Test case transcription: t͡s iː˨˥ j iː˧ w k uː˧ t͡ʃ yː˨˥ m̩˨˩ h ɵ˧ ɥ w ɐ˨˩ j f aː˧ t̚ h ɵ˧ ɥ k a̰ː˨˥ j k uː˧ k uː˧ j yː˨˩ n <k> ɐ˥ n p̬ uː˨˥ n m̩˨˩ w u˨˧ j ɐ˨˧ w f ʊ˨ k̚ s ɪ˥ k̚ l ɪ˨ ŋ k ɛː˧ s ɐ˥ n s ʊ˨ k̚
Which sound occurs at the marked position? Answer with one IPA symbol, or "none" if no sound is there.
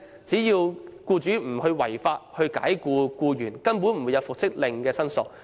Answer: k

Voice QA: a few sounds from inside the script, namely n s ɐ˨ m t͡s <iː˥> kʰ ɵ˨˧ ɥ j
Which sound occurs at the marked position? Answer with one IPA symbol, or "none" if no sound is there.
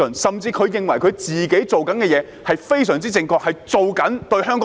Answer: iː˧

